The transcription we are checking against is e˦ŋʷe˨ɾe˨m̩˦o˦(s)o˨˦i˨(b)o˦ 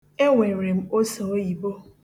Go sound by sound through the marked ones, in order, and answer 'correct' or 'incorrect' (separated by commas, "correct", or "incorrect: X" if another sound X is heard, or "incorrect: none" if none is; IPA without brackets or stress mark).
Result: correct, correct